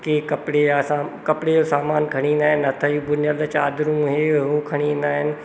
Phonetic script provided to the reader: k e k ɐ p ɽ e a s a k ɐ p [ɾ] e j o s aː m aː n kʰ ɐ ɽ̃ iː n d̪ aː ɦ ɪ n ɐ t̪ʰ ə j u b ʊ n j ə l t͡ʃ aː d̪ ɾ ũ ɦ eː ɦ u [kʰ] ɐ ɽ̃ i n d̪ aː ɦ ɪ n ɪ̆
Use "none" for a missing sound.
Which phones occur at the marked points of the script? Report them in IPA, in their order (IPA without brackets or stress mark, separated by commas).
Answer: ɽ, kʰ